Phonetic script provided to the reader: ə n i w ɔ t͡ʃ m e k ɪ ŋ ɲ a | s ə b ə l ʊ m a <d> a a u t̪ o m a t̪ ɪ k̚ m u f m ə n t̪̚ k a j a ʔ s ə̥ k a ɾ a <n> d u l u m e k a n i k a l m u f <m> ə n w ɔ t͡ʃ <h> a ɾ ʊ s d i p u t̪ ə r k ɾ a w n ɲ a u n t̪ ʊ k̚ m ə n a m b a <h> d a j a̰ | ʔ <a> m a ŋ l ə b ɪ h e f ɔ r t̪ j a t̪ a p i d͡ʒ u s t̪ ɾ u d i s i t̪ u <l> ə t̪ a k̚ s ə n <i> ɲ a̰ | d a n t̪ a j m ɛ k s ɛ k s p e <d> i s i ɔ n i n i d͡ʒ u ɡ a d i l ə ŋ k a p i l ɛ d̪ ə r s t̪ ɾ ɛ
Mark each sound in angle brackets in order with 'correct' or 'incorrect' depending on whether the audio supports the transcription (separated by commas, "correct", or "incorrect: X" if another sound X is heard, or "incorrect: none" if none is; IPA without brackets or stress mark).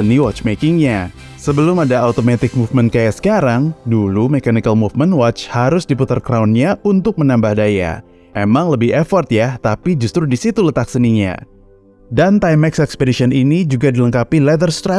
correct, incorrect: ŋ, correct, correct, correct, incorrect: e, correct, correct, correct